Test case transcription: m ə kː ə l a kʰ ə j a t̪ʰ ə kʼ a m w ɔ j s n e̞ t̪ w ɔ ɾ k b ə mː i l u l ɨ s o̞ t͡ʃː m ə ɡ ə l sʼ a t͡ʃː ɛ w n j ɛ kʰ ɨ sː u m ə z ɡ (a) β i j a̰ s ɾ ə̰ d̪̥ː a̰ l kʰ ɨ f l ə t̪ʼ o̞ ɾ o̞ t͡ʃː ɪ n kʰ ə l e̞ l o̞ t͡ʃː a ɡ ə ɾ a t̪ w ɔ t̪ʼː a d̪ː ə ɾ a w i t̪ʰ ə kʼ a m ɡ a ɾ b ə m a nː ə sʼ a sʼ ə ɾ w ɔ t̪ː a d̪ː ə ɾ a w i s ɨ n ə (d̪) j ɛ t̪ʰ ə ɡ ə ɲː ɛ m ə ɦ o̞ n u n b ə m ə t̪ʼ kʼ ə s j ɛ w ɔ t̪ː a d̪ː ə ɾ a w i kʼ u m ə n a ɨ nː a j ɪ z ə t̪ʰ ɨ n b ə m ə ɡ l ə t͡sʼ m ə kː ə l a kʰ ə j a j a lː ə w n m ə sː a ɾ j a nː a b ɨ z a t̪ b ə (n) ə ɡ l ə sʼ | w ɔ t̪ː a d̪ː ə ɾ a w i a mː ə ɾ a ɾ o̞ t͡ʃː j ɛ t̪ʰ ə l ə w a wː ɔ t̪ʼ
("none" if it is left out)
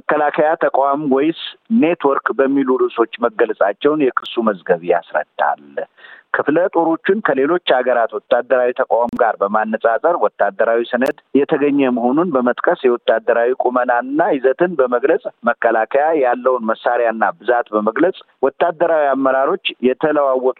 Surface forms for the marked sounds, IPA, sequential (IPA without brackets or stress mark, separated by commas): ə, d̪, m